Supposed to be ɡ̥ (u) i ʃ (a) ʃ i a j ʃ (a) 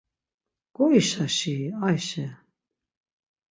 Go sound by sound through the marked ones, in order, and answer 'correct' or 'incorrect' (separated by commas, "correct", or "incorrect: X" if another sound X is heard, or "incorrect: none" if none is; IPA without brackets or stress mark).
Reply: incorrect: ɔ, correct, incorrect: ɛ